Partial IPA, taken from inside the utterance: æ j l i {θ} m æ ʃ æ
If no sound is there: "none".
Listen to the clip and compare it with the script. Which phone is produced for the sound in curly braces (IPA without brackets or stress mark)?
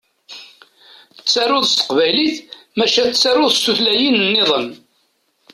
θ